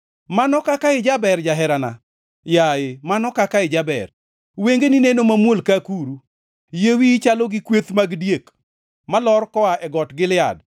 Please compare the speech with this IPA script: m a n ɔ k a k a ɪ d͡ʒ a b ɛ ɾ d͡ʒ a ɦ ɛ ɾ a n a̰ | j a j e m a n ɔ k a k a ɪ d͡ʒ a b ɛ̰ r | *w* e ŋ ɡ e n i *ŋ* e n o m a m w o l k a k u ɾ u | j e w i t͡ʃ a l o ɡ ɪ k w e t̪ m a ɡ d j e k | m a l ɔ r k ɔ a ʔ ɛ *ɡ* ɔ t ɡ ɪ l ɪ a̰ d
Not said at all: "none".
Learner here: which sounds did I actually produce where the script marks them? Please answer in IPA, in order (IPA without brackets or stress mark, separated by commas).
w, n, ɡ